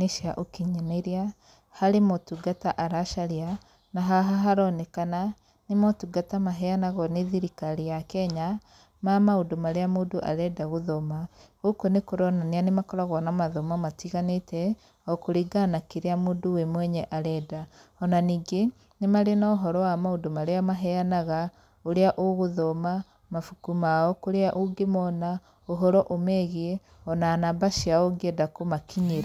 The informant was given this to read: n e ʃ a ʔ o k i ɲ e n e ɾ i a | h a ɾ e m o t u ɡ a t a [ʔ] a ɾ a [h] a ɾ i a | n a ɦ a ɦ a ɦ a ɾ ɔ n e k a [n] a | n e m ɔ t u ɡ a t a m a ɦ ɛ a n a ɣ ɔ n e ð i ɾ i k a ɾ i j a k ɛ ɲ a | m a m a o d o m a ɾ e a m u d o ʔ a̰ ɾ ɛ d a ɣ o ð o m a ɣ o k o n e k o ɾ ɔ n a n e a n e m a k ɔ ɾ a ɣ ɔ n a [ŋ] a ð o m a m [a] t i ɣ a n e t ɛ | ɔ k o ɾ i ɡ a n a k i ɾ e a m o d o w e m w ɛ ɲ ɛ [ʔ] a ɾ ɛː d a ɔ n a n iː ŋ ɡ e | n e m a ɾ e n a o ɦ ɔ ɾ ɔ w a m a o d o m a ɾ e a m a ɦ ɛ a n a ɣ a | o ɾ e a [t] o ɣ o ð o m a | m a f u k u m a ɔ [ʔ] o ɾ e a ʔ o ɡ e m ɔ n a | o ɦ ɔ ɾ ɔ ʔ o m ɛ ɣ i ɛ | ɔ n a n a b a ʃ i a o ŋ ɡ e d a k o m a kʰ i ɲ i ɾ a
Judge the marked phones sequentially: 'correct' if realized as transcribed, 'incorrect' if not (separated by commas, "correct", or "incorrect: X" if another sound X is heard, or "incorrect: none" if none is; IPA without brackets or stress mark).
correct, incorrect: ʃ, correct, incorrect: m, correct, correct, incorrect: ʔ, incorrect: k